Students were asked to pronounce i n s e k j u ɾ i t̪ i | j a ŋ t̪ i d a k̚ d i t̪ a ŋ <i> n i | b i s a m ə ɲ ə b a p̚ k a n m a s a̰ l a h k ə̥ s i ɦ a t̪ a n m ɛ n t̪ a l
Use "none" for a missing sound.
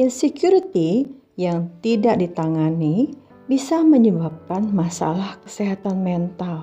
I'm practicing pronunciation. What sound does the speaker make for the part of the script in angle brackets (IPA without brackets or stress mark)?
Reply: a